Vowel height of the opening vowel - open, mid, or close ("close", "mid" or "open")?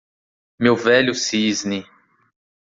mid